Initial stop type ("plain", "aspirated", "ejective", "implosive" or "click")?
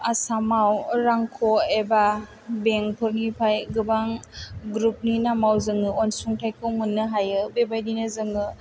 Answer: aspirated